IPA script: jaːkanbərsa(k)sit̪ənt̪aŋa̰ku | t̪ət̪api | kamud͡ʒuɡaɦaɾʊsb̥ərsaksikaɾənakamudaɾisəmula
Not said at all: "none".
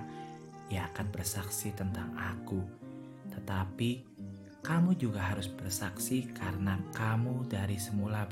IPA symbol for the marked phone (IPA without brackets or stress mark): k